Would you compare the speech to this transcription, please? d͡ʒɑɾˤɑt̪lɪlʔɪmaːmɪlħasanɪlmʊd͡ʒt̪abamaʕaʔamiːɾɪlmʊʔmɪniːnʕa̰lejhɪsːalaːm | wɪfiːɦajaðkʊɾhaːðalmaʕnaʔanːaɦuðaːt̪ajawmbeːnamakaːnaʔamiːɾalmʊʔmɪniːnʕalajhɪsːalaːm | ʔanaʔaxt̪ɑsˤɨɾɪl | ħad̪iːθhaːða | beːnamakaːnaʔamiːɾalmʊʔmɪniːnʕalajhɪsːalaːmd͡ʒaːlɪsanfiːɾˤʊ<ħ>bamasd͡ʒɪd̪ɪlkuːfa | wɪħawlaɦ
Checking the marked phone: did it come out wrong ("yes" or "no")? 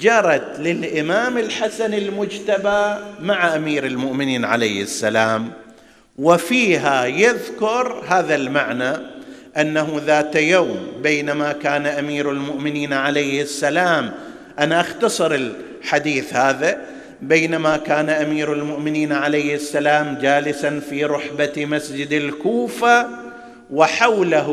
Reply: no